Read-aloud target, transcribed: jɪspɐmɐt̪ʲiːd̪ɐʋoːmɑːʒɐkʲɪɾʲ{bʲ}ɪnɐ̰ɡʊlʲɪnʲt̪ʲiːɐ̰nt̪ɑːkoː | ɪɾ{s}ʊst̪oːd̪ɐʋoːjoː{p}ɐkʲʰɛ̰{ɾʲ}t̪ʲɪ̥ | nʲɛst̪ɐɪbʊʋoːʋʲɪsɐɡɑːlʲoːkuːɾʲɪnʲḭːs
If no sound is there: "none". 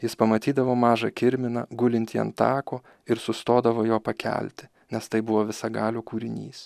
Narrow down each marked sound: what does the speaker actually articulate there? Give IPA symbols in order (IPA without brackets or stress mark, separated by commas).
mʲ, s, p, lʲ